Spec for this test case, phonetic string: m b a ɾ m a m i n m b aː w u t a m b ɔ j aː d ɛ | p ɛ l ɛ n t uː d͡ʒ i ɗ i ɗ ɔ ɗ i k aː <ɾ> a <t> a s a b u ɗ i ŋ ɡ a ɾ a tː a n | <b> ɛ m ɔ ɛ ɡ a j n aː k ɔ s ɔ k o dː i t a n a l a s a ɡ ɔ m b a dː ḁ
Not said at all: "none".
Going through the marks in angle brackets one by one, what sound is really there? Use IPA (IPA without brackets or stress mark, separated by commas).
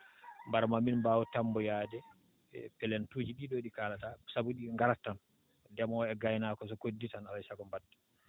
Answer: l, t, d